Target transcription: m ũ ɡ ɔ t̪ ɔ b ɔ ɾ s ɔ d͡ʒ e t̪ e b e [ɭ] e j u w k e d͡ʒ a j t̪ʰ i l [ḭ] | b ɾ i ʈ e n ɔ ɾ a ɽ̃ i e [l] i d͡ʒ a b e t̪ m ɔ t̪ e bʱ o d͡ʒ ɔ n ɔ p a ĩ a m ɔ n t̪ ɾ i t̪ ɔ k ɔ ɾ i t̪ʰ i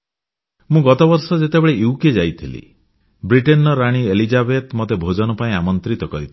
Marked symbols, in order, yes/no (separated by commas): yes, yes, yes